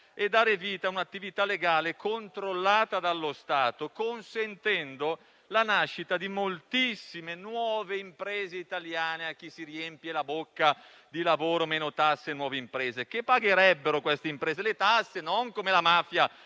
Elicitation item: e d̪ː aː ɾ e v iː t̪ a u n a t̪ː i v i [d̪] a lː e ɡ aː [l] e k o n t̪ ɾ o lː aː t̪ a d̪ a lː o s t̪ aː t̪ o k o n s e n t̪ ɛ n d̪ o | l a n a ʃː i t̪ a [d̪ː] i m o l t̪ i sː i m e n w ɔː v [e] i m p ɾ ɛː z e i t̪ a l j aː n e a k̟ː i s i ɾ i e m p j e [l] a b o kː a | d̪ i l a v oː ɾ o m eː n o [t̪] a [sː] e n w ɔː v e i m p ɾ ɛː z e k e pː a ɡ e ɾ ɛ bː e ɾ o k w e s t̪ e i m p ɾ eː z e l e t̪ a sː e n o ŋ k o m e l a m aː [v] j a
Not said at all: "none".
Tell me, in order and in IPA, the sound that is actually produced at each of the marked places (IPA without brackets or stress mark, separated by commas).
t̪, l, d̪, e, l, t̪, sː, f